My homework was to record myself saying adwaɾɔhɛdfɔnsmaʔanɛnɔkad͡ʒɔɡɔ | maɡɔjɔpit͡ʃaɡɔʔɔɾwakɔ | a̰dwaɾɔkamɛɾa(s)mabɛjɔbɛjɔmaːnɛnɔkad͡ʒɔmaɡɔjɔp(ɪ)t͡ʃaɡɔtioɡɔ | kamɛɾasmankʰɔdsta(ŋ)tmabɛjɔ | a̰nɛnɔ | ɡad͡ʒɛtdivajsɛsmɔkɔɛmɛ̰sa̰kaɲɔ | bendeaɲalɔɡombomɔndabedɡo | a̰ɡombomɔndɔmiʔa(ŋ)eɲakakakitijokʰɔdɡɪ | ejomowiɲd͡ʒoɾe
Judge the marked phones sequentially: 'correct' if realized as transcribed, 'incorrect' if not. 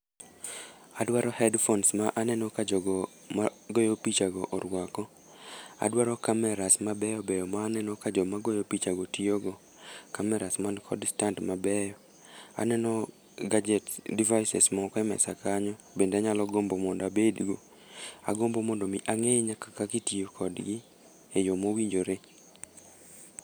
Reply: correct, incorrect, incorrect, correct

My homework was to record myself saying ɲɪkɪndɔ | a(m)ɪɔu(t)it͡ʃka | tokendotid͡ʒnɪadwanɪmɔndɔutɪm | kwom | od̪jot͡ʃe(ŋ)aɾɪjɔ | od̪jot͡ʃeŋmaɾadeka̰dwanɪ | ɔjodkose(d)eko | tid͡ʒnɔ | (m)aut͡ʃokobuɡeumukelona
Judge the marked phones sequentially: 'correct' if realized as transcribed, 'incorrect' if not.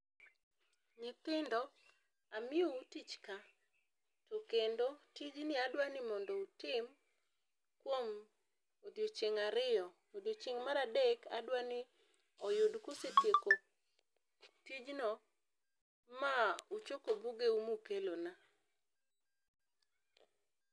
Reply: correct, correct, correct, incorrect, correct

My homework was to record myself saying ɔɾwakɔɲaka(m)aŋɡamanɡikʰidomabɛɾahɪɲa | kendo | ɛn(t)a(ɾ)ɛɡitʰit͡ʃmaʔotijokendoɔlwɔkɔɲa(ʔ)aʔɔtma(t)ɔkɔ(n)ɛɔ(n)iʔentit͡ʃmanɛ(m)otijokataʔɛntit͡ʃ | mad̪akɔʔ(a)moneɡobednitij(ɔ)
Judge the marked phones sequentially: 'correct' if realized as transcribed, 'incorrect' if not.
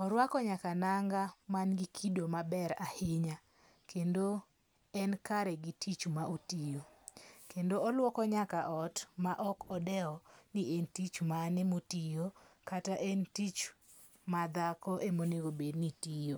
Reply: incorrect, incorrect, correct, incorrect, incorrect, incorrect, correct, correct, incorrect, incorrect

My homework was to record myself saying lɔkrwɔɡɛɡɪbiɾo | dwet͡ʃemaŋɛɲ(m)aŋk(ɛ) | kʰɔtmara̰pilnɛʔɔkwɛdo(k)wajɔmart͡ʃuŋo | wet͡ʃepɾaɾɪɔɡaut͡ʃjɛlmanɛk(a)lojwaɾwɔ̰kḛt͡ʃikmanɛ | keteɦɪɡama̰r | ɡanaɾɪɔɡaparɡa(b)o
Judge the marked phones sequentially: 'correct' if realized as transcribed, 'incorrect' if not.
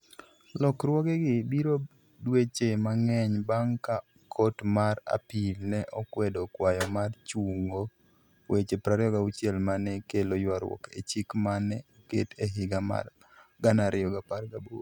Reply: incorrect, incorrect, correct, incorrect, correct

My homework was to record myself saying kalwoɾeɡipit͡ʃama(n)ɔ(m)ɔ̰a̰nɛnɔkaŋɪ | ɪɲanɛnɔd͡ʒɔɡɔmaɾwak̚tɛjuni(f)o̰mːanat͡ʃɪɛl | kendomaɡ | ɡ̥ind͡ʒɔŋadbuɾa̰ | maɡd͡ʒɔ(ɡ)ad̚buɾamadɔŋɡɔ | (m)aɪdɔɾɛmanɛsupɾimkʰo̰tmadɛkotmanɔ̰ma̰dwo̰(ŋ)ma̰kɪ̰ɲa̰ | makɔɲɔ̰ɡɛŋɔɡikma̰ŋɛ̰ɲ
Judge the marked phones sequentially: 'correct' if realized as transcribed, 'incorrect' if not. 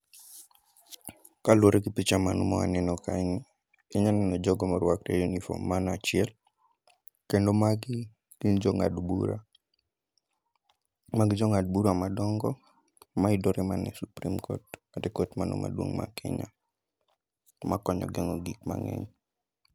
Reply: correct, correct, correct, incorrect, correct, correct

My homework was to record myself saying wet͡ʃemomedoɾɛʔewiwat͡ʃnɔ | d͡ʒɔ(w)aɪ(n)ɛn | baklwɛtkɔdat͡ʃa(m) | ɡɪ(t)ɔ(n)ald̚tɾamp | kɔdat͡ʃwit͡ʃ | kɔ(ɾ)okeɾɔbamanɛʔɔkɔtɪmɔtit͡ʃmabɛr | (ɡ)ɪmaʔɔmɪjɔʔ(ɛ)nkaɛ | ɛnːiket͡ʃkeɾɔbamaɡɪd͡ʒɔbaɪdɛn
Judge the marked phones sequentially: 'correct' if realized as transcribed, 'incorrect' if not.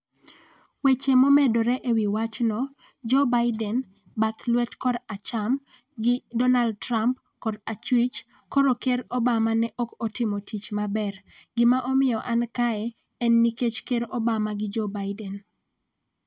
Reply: incorrect, incorrect, correct, incorrect, correct, correct, correct, incorrect

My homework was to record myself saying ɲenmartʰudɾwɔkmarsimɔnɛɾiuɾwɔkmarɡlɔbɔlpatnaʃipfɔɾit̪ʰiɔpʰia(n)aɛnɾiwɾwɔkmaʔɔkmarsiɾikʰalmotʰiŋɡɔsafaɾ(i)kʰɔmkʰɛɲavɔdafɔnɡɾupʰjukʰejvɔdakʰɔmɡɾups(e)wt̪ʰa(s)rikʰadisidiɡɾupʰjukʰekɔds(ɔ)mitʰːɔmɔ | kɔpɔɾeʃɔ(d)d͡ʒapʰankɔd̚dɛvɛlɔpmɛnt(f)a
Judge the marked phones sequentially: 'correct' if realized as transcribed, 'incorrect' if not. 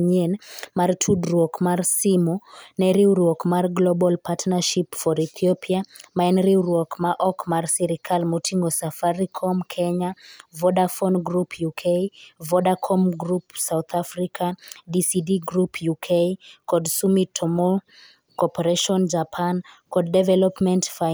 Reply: incorrect, correct, incorrect, incorrect, incorrect, incorrect, correct

